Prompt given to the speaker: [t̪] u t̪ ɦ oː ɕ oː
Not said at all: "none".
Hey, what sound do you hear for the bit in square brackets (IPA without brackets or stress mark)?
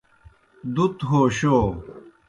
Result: d̪